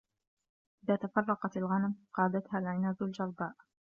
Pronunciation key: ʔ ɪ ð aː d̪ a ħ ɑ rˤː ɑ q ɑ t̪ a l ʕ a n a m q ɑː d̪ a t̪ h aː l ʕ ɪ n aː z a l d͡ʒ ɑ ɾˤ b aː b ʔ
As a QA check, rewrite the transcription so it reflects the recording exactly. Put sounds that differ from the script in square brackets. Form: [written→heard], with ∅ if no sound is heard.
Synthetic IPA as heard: ʔ ɪ ð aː [d̪→t̪] a [ħ→f] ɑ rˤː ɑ q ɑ t̪ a l [ʕ→ɣ] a n a m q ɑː d̪ a t̪ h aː l ʕ ɪ n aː z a l d͡ʒ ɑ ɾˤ b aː [b→∅] ʔ